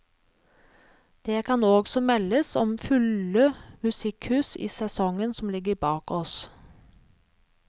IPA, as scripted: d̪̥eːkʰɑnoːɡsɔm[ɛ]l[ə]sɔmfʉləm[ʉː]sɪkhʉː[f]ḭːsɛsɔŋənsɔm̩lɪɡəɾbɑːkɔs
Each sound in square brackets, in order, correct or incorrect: correct, correct, incorrect: ʉ, incorrect: s

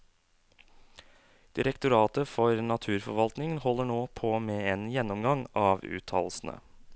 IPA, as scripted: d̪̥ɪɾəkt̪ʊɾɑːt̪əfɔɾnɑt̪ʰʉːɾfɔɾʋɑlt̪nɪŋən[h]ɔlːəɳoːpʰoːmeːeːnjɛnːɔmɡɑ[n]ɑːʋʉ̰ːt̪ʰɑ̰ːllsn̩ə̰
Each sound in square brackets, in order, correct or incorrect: correct, incorrect: ŋ

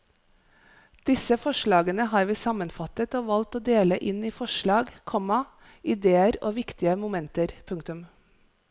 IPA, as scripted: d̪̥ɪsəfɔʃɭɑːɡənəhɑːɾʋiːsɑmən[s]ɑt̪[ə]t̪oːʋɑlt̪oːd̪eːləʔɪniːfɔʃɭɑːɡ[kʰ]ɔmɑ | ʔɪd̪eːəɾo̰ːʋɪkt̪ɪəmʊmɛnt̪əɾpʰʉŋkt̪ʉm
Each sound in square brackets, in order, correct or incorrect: incorrect: f, correct, correct

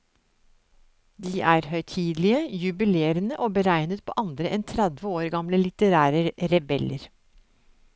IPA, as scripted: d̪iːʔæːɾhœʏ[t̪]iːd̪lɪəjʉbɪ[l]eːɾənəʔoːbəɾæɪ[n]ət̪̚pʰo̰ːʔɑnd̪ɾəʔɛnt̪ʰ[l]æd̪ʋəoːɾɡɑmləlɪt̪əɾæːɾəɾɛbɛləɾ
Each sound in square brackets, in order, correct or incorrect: incorrect: t̪ʰ, correct, correct, incorrect: ɾ

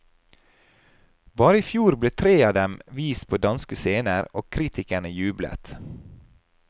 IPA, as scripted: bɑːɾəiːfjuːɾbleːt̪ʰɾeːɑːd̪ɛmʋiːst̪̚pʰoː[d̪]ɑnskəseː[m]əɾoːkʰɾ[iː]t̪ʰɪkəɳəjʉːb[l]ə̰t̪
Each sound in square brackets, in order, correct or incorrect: correct, incorrect: n, correct, correct

